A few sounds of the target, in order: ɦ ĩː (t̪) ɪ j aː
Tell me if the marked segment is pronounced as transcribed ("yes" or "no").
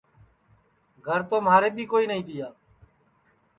no